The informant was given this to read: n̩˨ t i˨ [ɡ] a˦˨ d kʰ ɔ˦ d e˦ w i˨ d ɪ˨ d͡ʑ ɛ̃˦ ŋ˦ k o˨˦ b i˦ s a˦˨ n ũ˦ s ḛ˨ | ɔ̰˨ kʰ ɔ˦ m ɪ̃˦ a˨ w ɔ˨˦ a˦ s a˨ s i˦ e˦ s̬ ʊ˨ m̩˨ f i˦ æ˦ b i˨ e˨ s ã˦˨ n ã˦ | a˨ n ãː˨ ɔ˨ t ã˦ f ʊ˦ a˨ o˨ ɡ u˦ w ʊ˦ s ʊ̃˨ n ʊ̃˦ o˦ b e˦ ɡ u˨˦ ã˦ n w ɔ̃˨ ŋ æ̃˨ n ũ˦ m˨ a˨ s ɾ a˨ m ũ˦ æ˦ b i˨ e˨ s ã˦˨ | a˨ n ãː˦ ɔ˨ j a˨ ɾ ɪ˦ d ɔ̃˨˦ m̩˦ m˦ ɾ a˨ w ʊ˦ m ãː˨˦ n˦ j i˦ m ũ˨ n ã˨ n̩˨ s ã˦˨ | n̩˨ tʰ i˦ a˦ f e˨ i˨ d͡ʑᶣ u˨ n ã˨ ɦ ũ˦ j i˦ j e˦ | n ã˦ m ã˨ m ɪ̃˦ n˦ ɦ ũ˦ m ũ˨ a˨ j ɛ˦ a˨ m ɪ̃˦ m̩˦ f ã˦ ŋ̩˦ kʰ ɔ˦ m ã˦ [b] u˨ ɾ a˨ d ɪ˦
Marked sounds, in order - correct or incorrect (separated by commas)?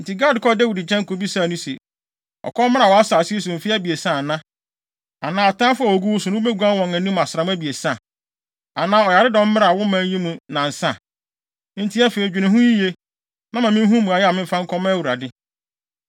correct, incorrect